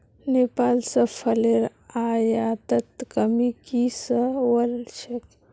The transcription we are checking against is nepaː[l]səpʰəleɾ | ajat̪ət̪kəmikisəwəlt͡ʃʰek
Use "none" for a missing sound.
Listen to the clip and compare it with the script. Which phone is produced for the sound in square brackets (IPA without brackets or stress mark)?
l